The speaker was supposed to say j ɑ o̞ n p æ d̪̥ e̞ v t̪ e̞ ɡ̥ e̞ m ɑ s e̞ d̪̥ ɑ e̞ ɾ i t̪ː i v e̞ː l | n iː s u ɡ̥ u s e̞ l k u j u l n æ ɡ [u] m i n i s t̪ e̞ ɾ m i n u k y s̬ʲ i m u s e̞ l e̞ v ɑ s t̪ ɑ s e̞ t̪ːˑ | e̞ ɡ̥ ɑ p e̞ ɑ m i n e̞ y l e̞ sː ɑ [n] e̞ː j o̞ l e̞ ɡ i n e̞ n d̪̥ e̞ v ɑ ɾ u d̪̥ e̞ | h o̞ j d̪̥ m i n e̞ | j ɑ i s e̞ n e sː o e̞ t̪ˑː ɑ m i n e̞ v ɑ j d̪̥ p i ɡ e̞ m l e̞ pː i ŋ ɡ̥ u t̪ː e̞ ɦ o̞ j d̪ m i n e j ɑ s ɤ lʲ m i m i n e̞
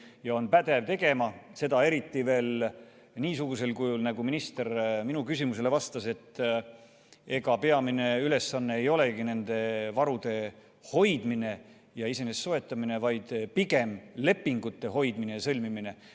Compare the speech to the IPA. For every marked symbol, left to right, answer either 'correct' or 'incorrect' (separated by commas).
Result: correct, incorrect